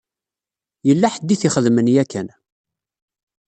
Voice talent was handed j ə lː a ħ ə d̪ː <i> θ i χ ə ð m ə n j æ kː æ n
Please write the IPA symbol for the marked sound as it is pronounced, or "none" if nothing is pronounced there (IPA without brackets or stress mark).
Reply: i